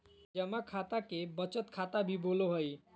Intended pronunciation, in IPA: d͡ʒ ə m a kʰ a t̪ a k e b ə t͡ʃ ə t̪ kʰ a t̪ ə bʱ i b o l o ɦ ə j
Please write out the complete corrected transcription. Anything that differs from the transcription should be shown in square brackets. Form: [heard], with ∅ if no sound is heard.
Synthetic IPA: d͡ʒ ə m a kʰ a t̪ a k e b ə t͡ʃ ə t̪ kʰ a t̪ [a] bʱ i b o l o ɦ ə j